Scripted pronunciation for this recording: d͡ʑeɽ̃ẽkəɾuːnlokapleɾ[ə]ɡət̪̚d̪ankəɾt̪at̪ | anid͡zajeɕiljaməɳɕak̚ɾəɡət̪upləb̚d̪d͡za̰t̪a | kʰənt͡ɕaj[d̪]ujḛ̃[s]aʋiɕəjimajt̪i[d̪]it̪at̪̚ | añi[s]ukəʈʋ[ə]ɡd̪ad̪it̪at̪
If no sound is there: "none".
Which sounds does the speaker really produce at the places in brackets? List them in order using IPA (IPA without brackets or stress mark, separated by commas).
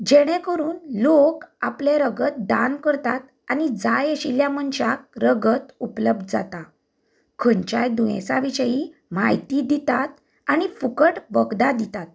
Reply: ə, d̪, s, d̪, f, ə